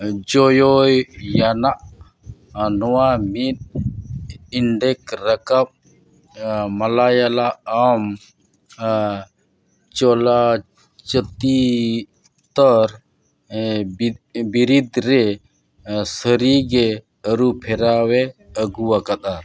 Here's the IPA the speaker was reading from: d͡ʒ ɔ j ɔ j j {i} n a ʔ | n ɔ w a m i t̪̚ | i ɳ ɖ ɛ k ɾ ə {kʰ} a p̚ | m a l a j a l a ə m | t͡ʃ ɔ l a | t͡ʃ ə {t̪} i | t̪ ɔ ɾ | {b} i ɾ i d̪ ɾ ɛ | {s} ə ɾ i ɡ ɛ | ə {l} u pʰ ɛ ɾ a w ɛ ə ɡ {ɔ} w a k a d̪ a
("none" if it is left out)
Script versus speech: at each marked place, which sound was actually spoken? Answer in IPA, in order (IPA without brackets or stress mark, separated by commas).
a, k, t̪, b, s, ɾ, u